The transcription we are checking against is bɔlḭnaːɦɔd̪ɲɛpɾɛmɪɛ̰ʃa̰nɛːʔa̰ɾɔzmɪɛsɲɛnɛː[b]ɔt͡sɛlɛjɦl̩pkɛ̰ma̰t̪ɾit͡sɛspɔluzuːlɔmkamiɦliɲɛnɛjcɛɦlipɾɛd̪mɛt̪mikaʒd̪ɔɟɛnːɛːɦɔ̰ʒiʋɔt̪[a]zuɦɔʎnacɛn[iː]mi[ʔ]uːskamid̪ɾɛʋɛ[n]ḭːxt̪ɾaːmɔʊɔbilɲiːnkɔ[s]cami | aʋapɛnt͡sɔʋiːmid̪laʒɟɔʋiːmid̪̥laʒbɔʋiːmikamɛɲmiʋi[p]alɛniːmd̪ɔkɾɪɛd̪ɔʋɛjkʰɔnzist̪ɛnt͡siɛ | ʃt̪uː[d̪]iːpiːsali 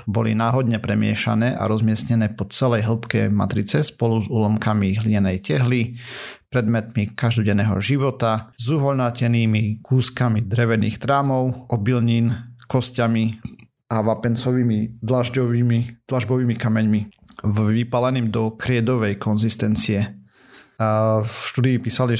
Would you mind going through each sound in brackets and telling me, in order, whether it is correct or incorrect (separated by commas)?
incorrect, correct, correct, incorrect, correct, correct, correct, correct